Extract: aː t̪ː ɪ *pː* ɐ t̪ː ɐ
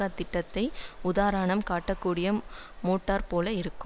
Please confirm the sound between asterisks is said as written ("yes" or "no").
no